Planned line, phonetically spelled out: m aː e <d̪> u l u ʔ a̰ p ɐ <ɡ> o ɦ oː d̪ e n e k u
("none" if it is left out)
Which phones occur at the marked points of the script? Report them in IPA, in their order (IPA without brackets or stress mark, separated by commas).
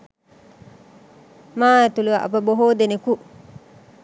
t̪, b